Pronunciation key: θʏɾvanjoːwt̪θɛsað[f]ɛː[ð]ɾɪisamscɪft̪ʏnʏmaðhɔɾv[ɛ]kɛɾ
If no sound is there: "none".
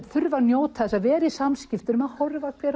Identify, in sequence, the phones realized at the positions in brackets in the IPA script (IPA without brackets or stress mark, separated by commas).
v, none, a